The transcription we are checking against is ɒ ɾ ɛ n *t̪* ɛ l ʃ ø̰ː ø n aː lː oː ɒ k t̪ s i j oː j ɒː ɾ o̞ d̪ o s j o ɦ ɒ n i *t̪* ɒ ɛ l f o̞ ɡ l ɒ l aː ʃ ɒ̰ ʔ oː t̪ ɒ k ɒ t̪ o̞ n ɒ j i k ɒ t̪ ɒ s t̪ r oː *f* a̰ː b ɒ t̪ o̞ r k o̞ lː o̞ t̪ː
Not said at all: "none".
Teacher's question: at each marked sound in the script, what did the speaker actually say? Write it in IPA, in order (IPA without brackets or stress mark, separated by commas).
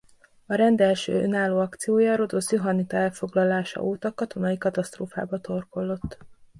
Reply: d̪, t̪, f